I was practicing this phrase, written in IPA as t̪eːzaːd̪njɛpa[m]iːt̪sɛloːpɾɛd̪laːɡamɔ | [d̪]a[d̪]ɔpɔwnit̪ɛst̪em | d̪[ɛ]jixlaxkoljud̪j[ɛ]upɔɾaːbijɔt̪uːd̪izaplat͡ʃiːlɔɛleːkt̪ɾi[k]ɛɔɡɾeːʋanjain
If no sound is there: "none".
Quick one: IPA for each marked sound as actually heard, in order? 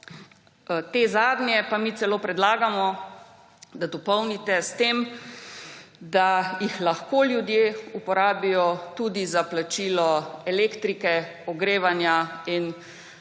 m, d̪, d̪, a, e, k

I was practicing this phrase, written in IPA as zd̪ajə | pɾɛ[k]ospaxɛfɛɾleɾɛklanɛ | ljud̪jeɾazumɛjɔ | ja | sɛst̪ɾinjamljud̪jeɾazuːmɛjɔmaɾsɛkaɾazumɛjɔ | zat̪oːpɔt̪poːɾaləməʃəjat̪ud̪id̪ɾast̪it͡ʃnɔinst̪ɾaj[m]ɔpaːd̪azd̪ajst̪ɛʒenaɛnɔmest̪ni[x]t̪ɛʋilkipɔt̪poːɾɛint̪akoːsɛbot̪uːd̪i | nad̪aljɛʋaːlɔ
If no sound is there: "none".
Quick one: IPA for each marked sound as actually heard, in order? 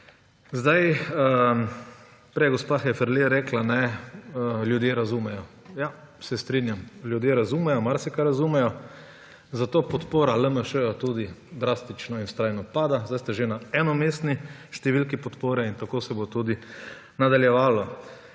ɡ, n, ʃ

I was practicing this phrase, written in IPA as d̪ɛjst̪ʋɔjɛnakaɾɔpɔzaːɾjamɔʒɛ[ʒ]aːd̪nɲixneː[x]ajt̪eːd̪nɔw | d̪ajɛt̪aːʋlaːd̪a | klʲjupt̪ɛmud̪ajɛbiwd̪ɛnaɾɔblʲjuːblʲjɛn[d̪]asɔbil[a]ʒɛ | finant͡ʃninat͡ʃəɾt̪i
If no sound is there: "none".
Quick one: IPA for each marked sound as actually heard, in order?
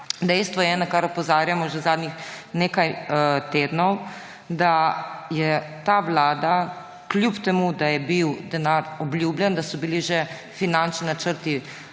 z, k, d̪, i

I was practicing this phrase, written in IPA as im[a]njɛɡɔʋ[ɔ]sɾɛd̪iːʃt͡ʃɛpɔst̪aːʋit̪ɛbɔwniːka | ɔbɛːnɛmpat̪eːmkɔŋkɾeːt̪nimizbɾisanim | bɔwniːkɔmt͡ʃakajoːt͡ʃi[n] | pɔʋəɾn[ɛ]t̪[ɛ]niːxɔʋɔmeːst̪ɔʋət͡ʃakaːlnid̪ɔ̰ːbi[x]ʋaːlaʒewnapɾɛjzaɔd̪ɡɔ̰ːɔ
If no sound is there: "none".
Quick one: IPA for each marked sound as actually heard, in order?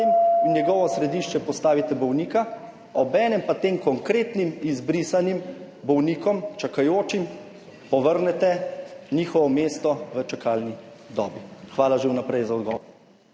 i, ɔ, m, ɛ, ɛ, x

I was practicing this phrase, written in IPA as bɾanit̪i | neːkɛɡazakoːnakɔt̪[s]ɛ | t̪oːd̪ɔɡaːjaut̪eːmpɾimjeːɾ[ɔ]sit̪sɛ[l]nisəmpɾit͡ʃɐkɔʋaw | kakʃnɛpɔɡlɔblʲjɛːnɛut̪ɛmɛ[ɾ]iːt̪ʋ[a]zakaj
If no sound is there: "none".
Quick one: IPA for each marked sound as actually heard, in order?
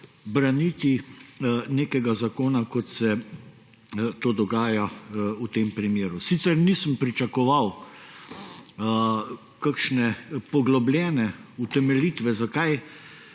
s, u, ɾ, l, ɛ

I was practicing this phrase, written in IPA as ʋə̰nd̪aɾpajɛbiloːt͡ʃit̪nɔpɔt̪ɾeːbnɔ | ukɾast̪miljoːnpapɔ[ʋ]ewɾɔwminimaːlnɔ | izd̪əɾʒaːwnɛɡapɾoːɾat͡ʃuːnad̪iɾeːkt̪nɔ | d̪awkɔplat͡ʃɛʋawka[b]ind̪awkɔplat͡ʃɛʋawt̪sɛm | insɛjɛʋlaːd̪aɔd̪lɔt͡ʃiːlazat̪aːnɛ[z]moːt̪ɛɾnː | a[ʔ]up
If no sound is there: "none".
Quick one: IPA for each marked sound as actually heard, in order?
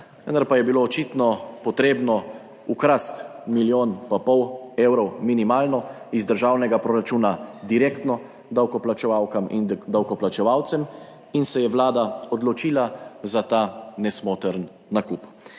w, m, s, k

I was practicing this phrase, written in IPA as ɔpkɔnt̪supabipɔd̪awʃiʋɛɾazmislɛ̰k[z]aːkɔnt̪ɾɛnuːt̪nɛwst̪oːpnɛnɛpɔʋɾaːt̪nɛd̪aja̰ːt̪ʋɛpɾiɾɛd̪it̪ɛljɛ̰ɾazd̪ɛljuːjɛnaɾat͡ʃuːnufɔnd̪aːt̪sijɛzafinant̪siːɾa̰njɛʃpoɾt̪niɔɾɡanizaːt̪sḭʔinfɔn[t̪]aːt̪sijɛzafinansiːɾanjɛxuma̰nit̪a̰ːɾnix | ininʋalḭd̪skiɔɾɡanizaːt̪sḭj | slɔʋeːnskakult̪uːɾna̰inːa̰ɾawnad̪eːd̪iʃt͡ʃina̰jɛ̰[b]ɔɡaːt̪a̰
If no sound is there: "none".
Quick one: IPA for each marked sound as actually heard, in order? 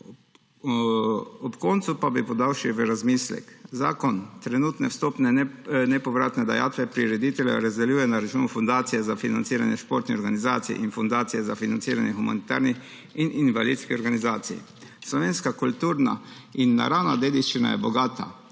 z, d̪, b

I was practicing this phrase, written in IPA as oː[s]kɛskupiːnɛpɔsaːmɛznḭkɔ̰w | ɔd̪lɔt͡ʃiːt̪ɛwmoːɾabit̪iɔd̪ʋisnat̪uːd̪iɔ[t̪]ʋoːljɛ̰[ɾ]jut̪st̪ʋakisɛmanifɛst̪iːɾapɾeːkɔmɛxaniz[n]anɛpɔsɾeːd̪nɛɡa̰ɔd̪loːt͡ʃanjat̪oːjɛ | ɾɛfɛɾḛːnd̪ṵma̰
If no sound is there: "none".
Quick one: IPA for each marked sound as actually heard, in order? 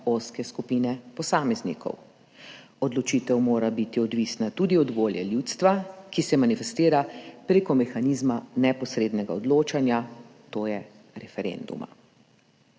s, d̪, l, m

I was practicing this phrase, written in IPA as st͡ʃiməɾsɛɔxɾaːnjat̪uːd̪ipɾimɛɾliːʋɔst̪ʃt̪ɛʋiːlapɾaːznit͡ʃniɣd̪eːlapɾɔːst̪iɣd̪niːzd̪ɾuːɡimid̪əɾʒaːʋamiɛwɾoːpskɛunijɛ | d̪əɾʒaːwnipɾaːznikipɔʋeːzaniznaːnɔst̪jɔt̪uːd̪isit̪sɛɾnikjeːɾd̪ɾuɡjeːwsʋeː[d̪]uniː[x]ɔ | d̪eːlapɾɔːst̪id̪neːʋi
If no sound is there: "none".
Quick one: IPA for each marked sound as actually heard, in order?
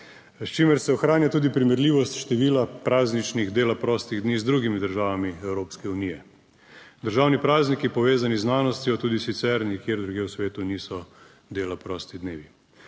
t̪, s

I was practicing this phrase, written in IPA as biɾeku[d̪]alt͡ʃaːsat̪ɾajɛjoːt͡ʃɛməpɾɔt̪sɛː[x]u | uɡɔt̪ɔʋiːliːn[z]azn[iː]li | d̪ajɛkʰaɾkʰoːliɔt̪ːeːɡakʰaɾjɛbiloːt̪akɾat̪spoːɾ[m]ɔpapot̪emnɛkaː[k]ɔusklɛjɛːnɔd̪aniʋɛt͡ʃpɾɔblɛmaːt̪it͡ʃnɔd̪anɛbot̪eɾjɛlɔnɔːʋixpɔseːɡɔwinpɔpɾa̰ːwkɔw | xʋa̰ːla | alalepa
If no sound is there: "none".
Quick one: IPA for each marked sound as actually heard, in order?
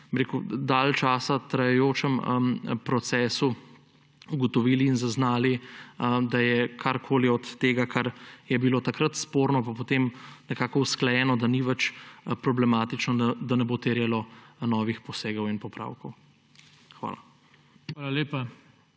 d̪, s, z, aː, n, k

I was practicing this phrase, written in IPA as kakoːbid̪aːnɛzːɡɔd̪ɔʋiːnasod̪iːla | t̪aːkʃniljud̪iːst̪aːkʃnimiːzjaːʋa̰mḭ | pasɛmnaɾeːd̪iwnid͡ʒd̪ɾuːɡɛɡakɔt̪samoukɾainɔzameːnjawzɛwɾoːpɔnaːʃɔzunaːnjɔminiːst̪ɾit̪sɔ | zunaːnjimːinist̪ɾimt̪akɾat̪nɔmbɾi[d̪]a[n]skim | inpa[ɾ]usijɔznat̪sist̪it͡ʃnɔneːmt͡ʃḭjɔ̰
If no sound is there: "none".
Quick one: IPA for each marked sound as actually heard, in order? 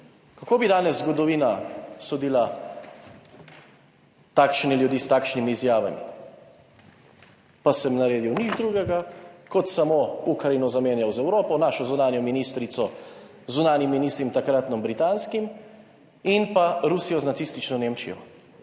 t̪, n, ɾ

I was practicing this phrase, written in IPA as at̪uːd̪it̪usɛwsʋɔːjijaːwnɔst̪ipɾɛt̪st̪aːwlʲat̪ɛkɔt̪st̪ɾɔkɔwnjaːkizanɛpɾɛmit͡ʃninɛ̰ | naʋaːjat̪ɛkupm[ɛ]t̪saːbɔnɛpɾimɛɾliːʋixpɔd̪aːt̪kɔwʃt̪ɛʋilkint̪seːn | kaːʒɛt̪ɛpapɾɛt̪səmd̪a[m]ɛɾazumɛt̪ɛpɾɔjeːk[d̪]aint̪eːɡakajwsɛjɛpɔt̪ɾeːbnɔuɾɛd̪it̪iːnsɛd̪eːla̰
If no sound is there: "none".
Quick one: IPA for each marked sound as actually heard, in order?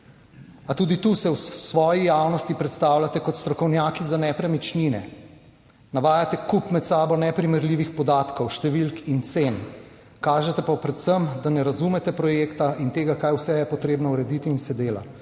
ɛ, n, t̪

